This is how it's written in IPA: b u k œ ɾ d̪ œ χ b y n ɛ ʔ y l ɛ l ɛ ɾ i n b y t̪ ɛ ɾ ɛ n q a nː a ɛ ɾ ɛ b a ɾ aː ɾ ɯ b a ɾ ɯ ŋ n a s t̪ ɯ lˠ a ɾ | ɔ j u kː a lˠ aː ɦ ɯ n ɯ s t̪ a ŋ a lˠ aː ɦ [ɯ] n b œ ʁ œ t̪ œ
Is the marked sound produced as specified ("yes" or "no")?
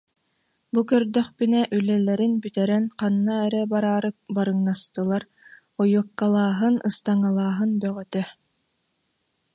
yes